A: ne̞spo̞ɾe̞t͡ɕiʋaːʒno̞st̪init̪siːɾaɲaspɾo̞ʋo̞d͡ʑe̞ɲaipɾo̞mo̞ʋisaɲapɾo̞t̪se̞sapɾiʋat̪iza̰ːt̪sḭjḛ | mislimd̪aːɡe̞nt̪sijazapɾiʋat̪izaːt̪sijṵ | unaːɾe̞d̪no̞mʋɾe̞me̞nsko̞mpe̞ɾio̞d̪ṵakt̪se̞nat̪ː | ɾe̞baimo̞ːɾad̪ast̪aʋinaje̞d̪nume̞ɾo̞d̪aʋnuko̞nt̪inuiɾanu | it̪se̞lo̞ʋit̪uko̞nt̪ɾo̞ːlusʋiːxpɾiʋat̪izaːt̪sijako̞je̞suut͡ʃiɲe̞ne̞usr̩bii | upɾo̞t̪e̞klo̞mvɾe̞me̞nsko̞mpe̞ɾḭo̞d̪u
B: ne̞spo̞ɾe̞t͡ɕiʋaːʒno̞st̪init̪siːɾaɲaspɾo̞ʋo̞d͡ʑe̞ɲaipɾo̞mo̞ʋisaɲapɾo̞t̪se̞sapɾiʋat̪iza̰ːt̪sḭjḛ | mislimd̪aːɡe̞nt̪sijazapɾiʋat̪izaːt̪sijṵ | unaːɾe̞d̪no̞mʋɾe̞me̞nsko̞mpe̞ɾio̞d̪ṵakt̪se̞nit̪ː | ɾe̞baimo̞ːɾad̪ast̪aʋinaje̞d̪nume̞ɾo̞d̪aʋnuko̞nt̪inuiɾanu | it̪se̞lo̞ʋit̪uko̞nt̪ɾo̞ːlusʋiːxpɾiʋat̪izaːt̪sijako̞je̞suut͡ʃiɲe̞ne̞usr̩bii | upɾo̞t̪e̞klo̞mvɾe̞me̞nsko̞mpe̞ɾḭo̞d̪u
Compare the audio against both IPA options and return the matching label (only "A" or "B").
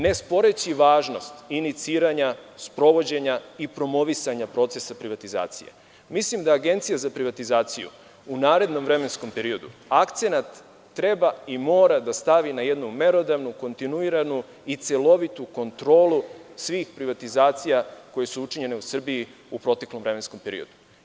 A